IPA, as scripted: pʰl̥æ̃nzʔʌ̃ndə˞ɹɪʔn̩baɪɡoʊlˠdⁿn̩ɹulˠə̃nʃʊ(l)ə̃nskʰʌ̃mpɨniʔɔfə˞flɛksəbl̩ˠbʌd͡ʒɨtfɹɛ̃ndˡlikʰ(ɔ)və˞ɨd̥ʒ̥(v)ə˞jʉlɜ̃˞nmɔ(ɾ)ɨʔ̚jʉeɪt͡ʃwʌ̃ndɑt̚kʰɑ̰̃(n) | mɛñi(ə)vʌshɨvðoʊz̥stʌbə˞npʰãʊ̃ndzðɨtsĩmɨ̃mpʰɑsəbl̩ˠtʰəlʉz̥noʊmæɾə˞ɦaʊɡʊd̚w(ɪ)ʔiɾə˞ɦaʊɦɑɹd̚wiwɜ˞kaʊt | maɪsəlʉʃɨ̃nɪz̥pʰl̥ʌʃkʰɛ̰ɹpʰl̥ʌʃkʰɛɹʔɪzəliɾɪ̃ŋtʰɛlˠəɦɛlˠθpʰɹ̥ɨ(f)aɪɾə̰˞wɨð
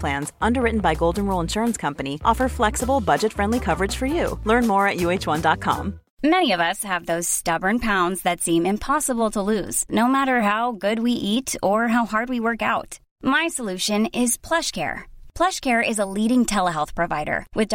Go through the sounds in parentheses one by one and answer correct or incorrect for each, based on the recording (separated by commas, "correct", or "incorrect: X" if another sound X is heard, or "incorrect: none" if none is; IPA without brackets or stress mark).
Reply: incorrect: ɹ, incorrect: ʌ, incorrect: f, incorrect: ɹ, incorrect: m, incorrect: ʌ, incorrect: i, incorrect: v